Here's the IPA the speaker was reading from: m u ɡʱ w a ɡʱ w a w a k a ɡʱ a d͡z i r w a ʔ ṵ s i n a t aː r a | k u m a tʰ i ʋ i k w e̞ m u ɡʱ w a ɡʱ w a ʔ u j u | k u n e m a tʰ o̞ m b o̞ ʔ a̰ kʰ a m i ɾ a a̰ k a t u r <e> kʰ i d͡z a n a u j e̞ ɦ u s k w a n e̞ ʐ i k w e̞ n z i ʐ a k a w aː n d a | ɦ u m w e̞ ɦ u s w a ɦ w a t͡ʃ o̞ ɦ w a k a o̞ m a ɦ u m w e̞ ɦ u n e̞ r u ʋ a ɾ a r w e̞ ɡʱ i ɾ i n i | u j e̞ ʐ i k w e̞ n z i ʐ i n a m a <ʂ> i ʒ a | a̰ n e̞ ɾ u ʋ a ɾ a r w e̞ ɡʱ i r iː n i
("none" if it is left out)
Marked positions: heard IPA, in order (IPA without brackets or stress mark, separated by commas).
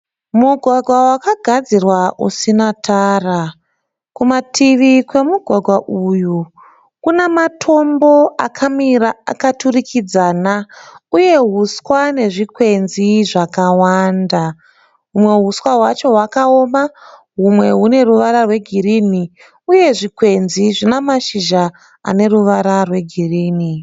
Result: i, ʃ